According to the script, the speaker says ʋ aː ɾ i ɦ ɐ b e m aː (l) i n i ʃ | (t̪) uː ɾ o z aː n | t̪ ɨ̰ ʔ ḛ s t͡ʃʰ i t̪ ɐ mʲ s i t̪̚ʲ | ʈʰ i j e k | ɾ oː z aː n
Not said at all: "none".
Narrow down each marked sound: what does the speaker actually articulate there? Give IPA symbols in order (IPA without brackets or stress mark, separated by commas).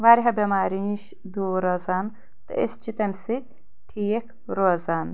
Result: ɾ, d̪